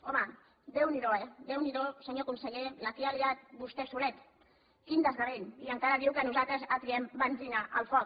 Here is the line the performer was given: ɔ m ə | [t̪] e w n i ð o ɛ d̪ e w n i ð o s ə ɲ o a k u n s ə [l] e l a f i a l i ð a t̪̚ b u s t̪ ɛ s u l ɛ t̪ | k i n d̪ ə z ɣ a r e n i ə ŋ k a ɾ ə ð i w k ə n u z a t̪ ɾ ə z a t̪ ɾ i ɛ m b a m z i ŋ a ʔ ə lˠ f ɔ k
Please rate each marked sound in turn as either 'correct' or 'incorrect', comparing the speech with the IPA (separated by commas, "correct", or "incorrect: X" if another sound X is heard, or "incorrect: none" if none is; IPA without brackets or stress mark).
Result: incorrect: d̪, incorrect: ʎ